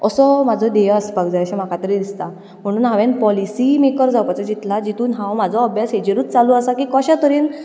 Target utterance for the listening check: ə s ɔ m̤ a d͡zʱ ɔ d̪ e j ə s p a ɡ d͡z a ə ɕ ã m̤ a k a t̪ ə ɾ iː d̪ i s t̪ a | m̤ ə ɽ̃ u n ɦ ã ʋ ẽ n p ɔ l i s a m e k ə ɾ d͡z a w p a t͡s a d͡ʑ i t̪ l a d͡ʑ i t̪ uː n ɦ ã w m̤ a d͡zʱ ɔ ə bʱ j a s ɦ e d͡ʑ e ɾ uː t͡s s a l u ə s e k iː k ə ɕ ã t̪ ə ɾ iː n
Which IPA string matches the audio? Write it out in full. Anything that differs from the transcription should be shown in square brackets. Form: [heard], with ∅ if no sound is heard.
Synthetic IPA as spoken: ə s ɔ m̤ a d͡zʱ ɔ d̪ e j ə s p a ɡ d͡z a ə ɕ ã m̤ a k a t̪ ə ɾ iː d̪ i s t̪ a | m̤ ə ɽ̃ [uː] n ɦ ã ʋ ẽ n p ɔ l i s [i] m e k ə ɾ d͡z a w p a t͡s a d͡ʑ i t̪ l a d͡ʑ i t̪ uː n ɦ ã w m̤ a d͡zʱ ɔ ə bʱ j a s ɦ e d͡ʑ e ɾ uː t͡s [t͡s] a l u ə s [a] k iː k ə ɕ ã t̪ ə ɾ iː n